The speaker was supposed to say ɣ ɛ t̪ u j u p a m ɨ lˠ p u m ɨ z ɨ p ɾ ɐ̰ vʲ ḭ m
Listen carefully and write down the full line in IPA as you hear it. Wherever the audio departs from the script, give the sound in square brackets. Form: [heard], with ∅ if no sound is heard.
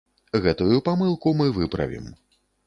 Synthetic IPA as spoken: ɣ ɛ t̪ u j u p a m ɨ lˠ [k] u m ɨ [v] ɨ p ɾ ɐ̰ vʲ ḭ m